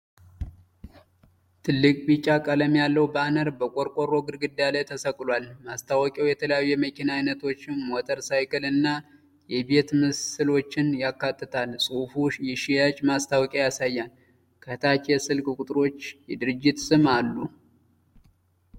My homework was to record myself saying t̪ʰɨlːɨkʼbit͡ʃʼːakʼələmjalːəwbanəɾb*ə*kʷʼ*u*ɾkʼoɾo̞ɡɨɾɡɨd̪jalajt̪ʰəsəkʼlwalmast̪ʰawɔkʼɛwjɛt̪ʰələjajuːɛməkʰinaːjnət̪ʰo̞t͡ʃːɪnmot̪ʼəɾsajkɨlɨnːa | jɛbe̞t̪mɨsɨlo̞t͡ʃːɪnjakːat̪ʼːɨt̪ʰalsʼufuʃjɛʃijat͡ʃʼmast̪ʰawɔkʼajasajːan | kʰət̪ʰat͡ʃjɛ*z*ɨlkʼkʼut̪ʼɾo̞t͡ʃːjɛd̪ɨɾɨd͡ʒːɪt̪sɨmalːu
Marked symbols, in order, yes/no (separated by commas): yes, no, no